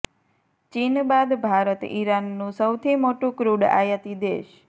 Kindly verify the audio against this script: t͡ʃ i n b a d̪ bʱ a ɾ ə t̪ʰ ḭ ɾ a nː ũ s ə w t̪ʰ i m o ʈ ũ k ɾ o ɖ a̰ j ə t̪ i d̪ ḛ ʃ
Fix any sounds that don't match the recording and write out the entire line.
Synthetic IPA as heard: t͡ʃ i n b a d̪ bʱ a ɾ ə t̪ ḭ ɾ a nː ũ s ə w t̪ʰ i m o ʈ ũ k ɾ u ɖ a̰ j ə t̪ i d̪ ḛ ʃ